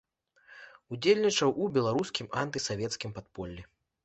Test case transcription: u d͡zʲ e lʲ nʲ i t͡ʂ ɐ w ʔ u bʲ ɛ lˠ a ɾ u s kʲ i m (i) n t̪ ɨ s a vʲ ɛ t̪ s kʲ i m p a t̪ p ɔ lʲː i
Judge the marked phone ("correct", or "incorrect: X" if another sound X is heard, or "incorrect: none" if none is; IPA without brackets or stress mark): incorrect: a